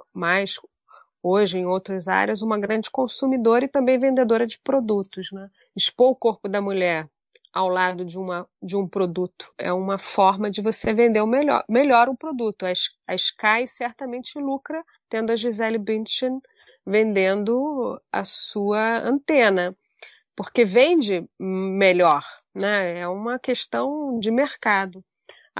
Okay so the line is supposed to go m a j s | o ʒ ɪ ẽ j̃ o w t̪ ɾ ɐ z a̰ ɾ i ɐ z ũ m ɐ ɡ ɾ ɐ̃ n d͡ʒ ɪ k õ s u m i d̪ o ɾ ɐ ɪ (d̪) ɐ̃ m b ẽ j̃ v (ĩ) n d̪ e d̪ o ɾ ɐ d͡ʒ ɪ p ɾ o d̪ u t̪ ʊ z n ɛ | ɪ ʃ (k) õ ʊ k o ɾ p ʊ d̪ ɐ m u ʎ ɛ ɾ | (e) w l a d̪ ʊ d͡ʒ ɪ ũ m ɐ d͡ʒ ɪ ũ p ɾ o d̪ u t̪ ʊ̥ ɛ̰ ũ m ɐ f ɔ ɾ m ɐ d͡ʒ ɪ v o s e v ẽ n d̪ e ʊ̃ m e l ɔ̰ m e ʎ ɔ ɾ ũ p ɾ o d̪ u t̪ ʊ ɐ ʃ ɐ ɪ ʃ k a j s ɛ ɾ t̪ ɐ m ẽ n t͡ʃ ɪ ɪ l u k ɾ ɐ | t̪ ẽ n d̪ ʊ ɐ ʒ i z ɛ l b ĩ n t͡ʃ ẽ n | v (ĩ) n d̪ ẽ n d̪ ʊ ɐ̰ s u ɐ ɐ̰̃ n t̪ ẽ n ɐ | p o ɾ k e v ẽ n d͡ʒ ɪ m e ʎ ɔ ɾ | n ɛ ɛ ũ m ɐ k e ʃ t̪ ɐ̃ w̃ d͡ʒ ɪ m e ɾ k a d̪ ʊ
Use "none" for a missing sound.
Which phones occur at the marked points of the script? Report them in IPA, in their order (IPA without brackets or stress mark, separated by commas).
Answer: t̪, ẽ, p, a, ẽ